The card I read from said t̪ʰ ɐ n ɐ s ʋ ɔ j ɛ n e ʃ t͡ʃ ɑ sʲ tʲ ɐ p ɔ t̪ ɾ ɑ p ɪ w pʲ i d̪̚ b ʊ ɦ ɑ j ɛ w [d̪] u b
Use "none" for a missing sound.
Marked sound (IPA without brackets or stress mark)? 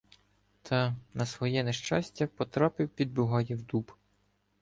d̪